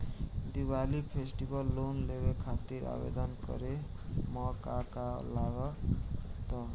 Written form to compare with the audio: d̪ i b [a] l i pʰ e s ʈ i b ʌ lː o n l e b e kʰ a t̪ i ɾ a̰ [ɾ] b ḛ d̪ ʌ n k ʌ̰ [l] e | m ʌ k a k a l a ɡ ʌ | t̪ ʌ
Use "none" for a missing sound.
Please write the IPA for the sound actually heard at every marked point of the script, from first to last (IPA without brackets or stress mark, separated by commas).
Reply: a, none, ɾ